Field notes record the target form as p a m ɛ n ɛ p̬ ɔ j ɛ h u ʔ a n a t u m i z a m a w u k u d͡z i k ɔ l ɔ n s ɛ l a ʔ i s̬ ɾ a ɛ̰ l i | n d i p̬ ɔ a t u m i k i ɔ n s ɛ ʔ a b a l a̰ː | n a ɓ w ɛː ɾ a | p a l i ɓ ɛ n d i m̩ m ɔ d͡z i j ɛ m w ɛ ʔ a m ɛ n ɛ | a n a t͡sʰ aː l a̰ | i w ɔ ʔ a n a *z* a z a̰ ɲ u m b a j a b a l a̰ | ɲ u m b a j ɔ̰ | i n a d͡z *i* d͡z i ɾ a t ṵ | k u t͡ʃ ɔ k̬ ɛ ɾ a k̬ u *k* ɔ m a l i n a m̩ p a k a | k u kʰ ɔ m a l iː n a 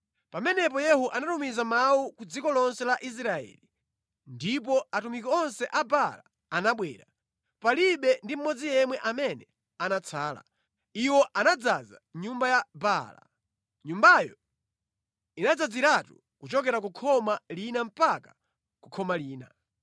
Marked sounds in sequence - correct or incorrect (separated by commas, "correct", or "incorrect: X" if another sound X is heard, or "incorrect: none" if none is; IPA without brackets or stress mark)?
incorrect: d͡z, incorrect: a, incorrect: kʰ